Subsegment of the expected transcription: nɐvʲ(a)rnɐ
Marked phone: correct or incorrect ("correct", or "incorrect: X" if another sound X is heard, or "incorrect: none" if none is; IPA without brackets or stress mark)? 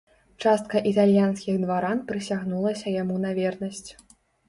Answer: incorrect: ɛ